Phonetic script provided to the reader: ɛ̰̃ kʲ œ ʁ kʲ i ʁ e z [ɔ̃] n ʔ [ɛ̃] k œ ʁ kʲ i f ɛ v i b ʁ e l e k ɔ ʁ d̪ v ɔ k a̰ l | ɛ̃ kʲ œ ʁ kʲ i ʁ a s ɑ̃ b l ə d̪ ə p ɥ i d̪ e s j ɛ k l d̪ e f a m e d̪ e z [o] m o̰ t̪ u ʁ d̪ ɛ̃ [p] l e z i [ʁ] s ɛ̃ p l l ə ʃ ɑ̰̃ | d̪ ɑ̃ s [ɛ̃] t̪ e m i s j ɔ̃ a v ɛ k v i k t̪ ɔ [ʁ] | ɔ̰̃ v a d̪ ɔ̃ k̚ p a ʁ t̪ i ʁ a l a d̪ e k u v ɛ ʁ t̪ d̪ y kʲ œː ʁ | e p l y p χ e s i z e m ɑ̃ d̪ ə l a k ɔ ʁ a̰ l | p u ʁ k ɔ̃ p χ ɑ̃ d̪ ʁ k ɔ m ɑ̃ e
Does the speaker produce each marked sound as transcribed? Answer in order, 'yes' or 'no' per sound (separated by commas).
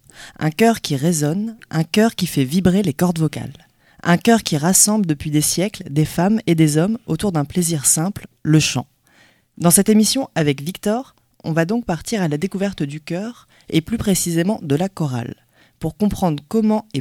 no, yes, no, yes, yes, no, yes